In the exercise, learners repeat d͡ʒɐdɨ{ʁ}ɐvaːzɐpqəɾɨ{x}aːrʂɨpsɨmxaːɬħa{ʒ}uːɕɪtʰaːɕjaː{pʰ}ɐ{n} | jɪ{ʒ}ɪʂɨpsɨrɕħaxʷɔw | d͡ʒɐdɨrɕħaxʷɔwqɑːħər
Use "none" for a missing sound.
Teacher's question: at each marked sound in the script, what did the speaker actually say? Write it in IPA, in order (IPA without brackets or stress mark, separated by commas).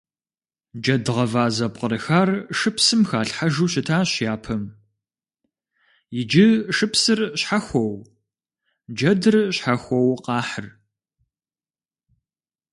ʁ, x, ʒ, pʰ, m, d͡ʒ